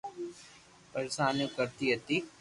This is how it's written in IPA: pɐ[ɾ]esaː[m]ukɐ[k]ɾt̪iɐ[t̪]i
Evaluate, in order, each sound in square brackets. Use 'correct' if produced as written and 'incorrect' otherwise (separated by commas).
correct, incorrect, incorrect, correct